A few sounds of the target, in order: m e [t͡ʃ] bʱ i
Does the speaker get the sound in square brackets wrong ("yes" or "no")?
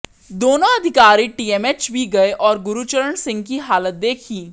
no